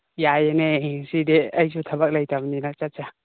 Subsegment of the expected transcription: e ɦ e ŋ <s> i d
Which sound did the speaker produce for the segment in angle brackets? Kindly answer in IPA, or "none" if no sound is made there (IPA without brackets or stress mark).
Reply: s